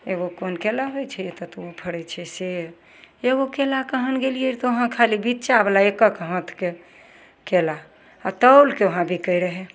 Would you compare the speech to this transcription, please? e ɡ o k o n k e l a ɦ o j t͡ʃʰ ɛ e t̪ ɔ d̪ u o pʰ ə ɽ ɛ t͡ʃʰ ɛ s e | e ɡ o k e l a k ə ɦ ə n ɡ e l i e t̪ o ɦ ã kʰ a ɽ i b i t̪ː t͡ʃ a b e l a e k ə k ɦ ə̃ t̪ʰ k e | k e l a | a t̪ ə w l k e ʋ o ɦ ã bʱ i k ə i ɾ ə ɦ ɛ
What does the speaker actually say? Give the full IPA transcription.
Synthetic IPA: e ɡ o k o n k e l a ɦ o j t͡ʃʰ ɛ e t̪ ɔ t̪ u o pʰ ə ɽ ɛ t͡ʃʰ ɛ s e | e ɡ o k e l a k ə ɦ ə n ɡ e l i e t̪ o ɦ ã kʰ a l i b i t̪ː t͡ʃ a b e l a e k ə k ɦ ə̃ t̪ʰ k e | k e l a | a t̪ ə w l k e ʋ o ɦ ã bʱ i k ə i ɾ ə ɦ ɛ